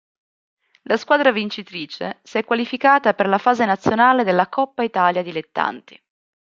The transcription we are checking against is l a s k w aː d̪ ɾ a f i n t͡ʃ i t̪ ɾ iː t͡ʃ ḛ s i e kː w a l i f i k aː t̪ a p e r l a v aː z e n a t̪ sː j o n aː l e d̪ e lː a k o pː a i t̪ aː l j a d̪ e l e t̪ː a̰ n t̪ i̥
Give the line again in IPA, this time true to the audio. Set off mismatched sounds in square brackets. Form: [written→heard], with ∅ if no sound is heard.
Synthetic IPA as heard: l a s k w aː d̪ ɾ a [f→v] i n t͡ʃ i t̪ ɾ iː t͡ʃ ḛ s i [e→ɛ] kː w a l i f i k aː t̪ a p e r l a [v→f] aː z e n a t̪ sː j o n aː l e d̪ e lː a k [o→ɔ] pː a i t̪ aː l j a d̪ [e→i] l e t̪ː a̰ n t̪ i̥